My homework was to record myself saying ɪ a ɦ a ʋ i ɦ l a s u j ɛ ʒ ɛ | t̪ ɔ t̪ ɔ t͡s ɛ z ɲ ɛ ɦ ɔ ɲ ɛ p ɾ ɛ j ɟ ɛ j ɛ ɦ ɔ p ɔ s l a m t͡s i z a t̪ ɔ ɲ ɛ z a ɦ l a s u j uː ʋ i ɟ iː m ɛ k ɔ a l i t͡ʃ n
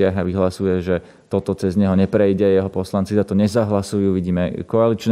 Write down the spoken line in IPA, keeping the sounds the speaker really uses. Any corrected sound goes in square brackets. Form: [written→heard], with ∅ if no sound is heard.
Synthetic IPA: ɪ a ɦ a ʋ i ɦ l a s u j ɛ ʒ ɛ | t̪ ɔ t̪ ɔ t͡s ɛ z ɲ ɛ ɦ ɔ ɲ ɛ p ɾ ɛ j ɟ ɛ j ɛ ɦ ɔ p ɔ s l a [m→n] t͡s i z a t̪ ɔ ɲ ɛ z a ɦ l a s u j uː ʋ i ɟ iː m ɛ k ɔ a l i t͡ʃ n